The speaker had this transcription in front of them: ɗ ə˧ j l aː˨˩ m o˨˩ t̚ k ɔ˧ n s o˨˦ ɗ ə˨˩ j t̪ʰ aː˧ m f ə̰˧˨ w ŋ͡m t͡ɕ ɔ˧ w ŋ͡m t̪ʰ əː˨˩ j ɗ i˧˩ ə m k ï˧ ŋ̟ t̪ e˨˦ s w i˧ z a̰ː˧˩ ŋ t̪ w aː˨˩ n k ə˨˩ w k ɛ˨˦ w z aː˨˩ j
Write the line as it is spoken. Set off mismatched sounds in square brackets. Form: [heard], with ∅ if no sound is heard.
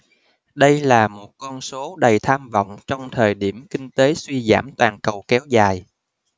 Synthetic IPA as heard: ɗ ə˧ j l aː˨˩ m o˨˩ t̚ k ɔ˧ n s o˨˦ ɗ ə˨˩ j t̪ʰ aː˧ m [v] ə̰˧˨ w ŋ͡m t͡ɕ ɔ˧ w ŋ͡m t̪ʰ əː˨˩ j ɗ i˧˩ ə m k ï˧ ŋ̟ t̪ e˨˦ s w i˧ z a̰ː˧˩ [m] t̪ w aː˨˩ n k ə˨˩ w k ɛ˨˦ w z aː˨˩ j